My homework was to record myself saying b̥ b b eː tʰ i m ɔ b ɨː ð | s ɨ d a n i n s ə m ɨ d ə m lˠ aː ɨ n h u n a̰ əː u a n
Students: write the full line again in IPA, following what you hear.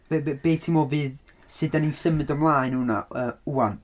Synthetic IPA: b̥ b b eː tʰ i m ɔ v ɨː ð | s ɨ d a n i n s ə m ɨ d ə m lˠ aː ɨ n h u n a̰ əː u a n